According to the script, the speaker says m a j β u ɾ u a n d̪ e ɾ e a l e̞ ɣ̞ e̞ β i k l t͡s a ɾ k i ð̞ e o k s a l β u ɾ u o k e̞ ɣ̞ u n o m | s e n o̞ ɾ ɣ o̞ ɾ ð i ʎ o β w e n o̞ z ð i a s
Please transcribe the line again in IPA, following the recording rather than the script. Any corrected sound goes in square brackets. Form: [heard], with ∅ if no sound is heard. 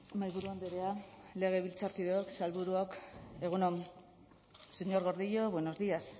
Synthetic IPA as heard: m a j β u ɾ u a n d̪ e ɾ e a l e̞ ɣ̞ e̞ β i [∅] l t͡s a ɾ k i ð̞ e o k s a l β u ɾ u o k e̞ ɣ̞ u n o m | s e [ɲ] o̞ ɾ ɣ o̞ ɾ ð i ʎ o β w e n o̞ z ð i a s